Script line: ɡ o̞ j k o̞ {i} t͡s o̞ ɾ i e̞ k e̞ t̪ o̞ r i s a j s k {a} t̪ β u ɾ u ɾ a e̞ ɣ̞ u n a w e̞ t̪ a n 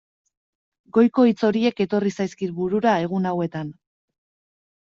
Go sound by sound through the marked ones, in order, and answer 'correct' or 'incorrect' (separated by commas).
correct, incorrect